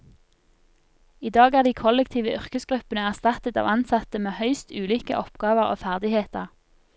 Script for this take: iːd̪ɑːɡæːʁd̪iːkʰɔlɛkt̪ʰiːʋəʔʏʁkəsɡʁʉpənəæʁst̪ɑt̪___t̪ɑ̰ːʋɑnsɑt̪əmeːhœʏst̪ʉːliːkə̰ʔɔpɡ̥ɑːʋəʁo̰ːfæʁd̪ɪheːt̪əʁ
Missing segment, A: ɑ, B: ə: B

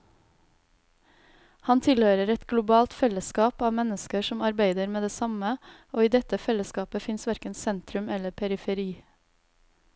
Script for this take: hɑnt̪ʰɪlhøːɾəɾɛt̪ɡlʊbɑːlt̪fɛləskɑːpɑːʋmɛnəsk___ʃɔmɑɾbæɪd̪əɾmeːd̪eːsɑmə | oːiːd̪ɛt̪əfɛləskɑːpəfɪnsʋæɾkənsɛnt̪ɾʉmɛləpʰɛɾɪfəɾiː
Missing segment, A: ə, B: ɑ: A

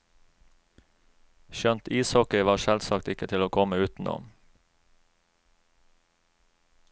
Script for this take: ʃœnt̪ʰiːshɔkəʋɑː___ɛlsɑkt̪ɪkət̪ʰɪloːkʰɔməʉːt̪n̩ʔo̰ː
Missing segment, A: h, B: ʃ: B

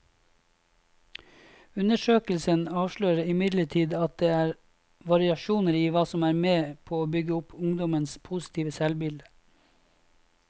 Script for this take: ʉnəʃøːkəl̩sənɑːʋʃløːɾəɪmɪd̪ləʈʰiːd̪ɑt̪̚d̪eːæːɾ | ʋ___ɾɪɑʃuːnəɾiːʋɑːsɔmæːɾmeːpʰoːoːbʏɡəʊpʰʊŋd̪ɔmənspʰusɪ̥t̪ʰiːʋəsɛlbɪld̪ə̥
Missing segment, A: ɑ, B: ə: A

